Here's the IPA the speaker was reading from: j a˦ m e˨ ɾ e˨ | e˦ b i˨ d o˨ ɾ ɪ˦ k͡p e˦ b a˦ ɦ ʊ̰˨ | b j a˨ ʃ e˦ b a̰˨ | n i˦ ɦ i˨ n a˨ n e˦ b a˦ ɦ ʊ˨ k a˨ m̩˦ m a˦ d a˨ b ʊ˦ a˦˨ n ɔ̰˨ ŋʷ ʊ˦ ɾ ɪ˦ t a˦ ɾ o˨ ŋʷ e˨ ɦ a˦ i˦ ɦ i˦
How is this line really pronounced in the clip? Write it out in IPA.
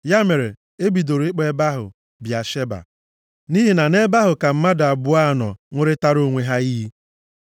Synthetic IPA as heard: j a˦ m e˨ ɾ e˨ | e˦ b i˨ d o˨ ɾ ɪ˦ k͡p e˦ b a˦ ɦ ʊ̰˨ | b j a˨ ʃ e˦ b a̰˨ | n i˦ ɦ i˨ n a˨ n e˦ b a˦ ɦ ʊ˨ k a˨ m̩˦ m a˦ d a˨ b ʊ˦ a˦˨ n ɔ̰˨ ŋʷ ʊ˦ ɾ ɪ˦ t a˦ ɾ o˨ ŋʷ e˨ ɦ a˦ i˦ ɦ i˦